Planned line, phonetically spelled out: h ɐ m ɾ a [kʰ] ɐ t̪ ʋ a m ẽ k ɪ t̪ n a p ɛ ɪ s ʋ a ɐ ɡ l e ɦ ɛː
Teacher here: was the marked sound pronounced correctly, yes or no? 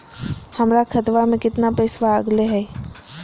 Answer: yes